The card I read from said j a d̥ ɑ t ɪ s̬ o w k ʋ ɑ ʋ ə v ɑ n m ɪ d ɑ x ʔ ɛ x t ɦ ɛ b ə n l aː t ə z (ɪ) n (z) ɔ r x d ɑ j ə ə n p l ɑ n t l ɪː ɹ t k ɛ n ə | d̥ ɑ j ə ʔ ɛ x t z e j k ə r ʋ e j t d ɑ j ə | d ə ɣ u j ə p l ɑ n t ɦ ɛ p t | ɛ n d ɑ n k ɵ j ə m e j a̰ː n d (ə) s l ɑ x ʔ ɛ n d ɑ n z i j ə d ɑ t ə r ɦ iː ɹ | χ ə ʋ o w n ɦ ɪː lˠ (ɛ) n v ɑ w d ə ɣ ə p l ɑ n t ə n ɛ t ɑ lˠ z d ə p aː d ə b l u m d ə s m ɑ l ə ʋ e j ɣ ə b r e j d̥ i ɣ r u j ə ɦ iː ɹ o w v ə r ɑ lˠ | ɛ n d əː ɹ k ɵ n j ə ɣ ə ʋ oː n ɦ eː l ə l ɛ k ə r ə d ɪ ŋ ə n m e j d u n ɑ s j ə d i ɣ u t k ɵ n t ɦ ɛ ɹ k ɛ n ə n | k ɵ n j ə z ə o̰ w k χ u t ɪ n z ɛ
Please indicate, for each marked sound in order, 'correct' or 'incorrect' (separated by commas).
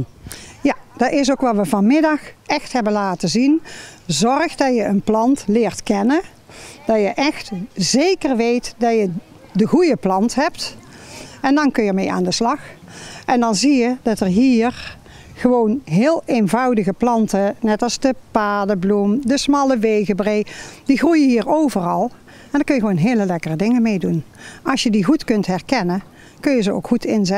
incorrect, correct, correct, incorrect